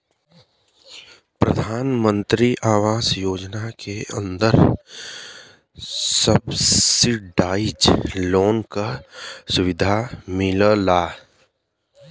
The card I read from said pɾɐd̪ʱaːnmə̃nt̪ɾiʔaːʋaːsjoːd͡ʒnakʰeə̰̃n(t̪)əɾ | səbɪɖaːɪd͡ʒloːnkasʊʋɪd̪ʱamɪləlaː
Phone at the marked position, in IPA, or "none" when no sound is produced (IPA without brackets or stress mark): d̪